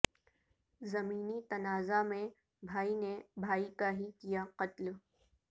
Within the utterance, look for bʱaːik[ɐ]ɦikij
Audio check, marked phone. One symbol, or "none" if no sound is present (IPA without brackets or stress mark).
a